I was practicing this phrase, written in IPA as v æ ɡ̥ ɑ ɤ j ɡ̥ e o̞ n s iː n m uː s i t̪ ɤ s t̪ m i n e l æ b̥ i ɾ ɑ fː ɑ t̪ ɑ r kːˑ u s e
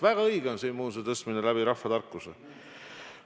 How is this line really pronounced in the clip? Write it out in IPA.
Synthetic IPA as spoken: v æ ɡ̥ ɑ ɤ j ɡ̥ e o̞ n s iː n m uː s e t̪ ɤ s t̪ m i n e l æ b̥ i ɾ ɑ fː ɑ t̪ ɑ r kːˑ u s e